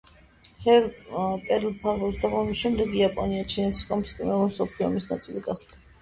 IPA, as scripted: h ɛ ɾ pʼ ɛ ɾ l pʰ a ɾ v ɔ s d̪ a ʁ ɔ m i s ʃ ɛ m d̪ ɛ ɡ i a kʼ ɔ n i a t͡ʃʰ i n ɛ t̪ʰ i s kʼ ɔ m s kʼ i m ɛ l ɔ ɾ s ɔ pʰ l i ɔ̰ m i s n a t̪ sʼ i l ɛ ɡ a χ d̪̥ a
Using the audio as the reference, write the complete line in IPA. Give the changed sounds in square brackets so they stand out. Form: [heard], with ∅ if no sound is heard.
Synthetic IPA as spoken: h ɛ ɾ pʼ ɛ ɾ l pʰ a ɾ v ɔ s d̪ a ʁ ɔ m i s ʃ ɛ m d̪ ɛ ɡ i a [pʼ] ɔ n i a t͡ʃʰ i n ɛ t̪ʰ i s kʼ ɔ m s kʼ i m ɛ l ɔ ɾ s ɔ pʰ l i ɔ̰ m i s n a t̪ sʼ i l [i] ɡ a χ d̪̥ a